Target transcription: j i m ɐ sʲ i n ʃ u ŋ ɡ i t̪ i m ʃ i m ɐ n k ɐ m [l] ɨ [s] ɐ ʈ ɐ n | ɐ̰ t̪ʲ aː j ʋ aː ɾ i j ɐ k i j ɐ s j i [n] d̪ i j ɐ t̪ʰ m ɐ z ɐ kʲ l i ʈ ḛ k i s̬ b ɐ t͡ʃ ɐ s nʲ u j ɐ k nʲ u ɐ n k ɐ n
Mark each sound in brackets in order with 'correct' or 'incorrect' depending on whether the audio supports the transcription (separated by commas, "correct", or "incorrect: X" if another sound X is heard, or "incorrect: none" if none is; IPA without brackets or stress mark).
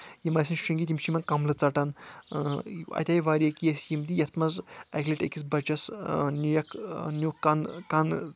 correct, incorrect: t͡s, incorrect: m